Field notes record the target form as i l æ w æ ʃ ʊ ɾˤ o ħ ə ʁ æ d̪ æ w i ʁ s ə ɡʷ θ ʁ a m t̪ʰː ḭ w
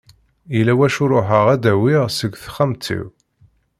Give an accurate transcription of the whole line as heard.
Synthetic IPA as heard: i l æ w æ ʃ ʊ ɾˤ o ħ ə ʁ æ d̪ æ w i ʁ s ə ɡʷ θ χ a m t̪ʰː ḭ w